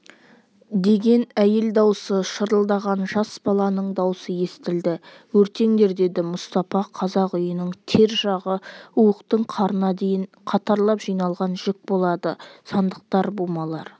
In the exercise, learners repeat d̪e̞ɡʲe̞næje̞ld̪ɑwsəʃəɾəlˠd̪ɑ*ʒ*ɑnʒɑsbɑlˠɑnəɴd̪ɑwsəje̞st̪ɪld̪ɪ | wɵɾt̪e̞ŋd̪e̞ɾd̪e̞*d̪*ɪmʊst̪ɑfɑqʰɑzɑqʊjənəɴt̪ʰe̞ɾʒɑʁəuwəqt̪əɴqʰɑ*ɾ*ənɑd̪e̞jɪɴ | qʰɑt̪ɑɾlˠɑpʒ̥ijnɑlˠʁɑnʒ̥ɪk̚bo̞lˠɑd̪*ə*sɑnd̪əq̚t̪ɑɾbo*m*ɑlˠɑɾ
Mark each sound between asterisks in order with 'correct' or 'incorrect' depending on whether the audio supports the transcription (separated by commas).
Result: incorrect, correct, correct, correct, correct